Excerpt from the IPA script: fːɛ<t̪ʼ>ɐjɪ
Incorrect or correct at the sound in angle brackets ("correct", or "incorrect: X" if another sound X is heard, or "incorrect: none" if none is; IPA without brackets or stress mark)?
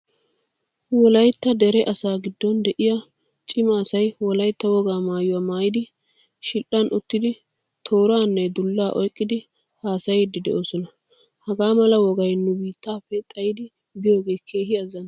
correct